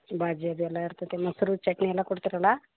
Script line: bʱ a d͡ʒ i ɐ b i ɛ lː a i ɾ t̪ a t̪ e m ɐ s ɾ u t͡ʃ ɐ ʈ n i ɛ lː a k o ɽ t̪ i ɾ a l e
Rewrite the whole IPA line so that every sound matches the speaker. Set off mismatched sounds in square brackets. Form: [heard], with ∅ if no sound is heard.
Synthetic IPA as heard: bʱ a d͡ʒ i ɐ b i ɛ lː a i ɾ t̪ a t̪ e m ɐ s ɾ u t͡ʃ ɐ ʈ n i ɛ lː a k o ɽ t̪ i ɾ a l [a]